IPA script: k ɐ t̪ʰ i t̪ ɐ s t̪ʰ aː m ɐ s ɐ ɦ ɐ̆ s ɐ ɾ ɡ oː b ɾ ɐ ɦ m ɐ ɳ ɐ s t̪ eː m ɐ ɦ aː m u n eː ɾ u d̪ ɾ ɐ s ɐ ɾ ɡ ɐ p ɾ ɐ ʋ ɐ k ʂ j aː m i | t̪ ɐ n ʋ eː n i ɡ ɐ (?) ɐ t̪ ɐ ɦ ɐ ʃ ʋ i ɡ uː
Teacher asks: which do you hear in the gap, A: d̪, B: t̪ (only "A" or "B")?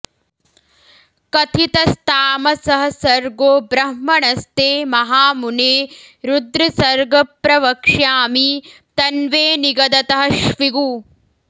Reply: A